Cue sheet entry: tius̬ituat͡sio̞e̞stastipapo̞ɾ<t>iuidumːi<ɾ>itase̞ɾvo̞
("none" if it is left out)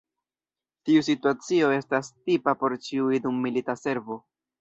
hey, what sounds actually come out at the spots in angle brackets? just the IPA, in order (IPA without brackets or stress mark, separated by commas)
t͡ʃ, l